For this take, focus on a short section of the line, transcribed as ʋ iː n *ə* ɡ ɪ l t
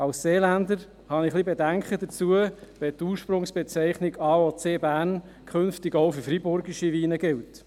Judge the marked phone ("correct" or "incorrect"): correct